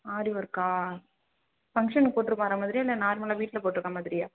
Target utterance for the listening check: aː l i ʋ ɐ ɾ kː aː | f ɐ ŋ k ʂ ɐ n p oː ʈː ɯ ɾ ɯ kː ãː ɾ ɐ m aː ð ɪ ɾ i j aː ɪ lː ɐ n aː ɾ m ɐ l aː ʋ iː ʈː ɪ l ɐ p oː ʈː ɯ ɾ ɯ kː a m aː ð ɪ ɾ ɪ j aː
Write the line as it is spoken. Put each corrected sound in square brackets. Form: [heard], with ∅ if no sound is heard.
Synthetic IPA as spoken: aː [ɾ] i ʋ ɐ ɾ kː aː | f ɐ ŋ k ʂ ɐ n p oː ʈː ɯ ɾ ɯ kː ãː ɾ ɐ m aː ð ɪ ɾ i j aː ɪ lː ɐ n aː ɾ m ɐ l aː ʋ iː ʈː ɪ l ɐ p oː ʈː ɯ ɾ ɯ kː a m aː ð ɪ ɾ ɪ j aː